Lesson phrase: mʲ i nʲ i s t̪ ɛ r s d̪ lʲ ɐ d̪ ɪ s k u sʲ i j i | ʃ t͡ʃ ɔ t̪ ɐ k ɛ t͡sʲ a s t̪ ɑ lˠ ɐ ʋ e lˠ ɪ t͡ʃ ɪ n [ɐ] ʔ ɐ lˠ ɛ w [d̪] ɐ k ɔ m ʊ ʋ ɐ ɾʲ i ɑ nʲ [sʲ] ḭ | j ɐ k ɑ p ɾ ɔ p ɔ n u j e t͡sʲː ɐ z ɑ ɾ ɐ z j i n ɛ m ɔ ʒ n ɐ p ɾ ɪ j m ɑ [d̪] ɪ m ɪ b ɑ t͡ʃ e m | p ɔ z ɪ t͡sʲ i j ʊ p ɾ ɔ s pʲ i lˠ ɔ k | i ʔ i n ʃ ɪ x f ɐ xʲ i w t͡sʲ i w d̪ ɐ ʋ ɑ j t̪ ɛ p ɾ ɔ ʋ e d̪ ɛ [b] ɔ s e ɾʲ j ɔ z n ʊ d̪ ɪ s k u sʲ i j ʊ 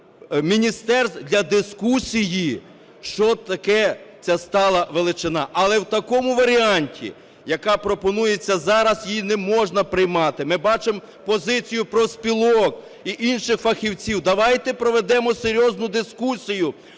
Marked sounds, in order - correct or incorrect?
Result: incorrect: ɑ, incorrect: t̪, incorrect: tʲ, incorrect: t̪, incorrect: m

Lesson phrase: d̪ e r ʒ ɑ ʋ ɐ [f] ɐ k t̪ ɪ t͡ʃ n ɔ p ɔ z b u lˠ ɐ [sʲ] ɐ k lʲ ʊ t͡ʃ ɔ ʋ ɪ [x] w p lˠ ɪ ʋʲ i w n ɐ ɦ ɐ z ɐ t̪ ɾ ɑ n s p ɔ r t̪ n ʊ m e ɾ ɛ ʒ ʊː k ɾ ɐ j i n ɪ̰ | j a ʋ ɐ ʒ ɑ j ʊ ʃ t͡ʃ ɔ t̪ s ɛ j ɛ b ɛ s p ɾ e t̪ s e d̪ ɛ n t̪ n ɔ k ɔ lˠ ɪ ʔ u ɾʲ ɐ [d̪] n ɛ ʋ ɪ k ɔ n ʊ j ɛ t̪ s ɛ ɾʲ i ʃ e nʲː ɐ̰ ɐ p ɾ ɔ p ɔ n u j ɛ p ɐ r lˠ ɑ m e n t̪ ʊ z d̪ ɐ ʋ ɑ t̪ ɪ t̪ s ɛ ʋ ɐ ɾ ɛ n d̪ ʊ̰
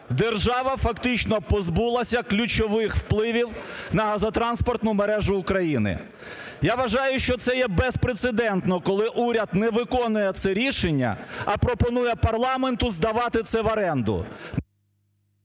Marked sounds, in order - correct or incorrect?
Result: correct, correct, correct, correct

